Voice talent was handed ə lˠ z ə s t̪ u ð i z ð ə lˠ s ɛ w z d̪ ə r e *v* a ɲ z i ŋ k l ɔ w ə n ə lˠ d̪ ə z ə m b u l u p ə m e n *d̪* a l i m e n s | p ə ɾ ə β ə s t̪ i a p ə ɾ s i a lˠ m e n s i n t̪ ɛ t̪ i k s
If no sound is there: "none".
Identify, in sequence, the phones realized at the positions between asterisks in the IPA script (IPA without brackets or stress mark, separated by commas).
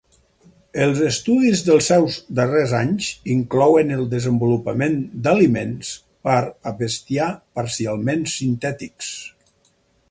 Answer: z, d̪